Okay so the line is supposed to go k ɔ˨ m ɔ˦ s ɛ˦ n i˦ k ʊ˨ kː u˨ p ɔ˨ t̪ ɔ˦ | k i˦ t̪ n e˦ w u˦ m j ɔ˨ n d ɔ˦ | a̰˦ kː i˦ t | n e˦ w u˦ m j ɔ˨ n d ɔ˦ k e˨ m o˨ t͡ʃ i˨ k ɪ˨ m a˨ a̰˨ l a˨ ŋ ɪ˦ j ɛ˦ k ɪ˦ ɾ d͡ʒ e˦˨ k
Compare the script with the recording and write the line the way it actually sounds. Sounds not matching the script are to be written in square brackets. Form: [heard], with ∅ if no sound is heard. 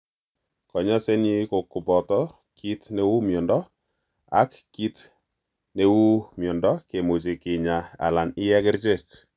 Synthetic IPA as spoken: k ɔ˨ [ɲ] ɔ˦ s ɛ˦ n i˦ k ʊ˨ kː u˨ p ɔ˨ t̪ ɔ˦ | k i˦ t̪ n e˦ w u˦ m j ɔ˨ n d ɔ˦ | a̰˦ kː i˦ t | n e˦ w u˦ m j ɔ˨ n d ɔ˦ k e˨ m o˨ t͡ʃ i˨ k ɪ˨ [ɲ] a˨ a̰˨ l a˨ [n] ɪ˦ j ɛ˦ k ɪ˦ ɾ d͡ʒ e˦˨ k